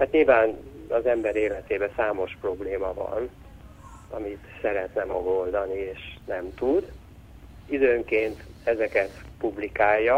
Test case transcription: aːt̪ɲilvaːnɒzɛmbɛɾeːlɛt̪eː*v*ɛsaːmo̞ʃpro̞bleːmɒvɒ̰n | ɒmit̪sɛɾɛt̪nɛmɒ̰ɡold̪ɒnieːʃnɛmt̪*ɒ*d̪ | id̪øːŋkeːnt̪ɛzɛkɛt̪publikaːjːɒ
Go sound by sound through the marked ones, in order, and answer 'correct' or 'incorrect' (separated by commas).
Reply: incorrect, incorrect